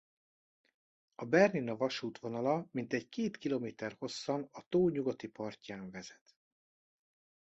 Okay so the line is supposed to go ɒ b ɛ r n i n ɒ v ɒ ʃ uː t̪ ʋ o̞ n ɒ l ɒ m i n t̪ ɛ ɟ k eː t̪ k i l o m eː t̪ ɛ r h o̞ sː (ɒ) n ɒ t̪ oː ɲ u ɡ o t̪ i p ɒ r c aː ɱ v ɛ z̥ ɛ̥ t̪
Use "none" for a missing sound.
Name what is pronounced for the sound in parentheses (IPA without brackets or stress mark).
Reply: ɒ